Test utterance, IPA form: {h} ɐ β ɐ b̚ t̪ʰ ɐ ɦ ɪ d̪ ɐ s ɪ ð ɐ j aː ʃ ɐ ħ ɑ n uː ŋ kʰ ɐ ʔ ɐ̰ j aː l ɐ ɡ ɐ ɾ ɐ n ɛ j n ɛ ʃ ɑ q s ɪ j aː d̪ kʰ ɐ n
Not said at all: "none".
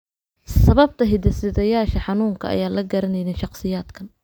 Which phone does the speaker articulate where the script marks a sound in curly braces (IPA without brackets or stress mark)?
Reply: s